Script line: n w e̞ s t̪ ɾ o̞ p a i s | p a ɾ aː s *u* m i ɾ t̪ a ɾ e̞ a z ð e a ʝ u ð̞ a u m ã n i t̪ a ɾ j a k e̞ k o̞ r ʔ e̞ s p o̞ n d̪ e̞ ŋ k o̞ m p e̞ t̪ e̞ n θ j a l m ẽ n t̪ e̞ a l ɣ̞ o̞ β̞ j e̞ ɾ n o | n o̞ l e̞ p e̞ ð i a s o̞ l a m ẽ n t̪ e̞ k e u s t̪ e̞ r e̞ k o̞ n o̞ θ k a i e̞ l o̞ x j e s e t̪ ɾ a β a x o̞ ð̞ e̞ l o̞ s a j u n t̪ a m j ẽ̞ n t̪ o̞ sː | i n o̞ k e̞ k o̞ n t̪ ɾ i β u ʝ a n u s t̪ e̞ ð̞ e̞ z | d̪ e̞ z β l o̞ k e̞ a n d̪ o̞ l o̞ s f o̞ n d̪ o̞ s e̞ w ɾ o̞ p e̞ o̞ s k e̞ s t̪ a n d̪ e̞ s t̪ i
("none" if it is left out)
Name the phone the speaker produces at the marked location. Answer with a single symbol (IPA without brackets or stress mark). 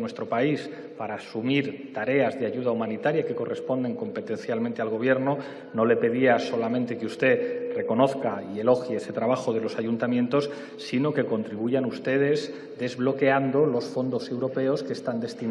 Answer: u